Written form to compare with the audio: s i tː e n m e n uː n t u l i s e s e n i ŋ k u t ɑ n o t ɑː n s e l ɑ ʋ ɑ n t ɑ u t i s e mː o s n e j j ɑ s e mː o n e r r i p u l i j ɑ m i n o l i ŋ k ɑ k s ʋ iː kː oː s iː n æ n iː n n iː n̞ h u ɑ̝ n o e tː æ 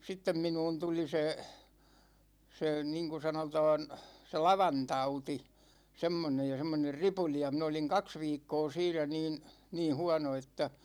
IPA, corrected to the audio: s i tː e m m i n uː n t u l i s e s e n i ŋ k u s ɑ n o t ɑː n s e l ɑ ʋ ɑ n t ɑ u t i s e mː o n e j j ɑ s e mː o n e r r i p u l i j ɑ m i n o l i ŋ k ɑ k s ʋ iː kː oː s iː n æ n iː n n iː n̞ h u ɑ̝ n o e tː æ